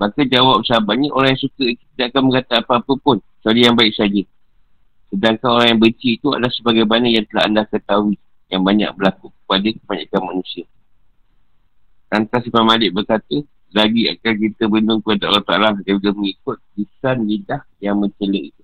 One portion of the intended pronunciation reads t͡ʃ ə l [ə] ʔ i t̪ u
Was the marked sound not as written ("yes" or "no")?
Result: no